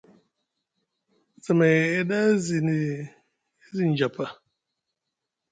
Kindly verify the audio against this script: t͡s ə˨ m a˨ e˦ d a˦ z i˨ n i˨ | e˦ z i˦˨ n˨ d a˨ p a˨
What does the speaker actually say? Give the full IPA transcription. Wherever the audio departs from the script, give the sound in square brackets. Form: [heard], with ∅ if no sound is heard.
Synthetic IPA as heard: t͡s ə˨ m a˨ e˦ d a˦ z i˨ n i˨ | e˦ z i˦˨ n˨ [d͡ʒ] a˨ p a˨